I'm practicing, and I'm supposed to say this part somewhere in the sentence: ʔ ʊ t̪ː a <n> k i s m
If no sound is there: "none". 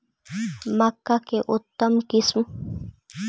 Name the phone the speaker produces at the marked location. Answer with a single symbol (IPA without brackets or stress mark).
m